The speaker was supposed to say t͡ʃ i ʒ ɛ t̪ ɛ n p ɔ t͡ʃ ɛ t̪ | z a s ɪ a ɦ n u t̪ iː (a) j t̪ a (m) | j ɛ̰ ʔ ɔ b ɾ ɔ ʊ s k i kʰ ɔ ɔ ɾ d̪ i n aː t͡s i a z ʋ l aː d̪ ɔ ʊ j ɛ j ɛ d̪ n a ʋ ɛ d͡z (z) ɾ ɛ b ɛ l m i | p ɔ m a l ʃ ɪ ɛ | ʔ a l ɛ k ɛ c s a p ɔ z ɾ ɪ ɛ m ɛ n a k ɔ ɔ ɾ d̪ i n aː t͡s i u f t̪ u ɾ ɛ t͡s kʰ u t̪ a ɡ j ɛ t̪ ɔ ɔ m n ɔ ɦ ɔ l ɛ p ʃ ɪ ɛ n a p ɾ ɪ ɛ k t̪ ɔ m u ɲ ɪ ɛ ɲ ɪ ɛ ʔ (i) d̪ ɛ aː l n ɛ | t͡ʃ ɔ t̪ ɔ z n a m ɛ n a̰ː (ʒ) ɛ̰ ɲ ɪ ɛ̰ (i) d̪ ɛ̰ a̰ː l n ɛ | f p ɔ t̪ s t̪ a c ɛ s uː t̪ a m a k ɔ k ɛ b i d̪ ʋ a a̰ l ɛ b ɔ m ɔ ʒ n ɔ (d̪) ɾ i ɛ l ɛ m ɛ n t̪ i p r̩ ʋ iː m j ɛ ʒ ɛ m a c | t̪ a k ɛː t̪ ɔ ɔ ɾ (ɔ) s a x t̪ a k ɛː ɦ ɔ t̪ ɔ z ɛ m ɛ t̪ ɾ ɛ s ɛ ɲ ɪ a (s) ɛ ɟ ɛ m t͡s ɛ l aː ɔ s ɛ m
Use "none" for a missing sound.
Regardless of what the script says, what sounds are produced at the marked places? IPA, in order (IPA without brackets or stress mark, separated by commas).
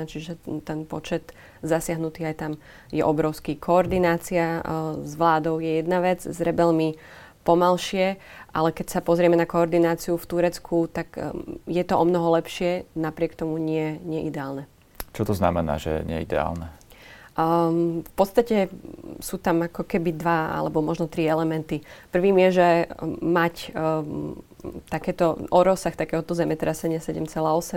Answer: a, m, z, i, ʒ, i, t̪, ɔ, s